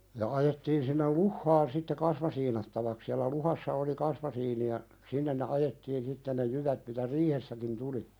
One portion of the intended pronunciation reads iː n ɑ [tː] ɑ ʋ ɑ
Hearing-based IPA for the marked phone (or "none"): tː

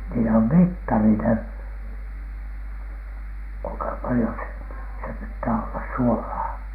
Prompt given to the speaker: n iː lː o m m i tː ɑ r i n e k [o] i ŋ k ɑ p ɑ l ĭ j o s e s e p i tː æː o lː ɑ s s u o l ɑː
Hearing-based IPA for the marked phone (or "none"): u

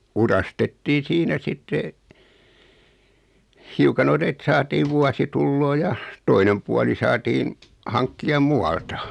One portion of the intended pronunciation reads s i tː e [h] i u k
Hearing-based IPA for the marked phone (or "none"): h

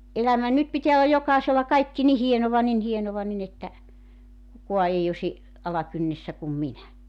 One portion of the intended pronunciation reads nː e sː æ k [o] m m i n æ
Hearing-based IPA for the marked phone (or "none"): u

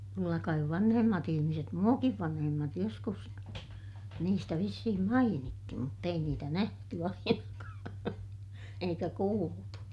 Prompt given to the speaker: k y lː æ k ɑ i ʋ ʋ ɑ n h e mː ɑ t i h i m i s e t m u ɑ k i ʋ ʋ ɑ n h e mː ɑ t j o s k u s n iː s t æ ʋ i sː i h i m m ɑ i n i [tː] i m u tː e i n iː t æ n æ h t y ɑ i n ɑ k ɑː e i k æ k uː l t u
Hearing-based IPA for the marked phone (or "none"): tː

